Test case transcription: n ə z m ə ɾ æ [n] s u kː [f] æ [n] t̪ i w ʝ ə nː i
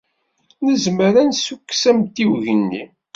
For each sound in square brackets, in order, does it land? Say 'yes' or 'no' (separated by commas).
yes, no, no